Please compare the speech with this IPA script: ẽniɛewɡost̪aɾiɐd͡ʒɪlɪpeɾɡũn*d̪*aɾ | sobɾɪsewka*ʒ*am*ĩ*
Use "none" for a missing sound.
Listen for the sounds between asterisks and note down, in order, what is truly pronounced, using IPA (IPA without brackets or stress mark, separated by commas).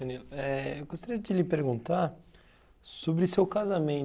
t̪, z, ẽ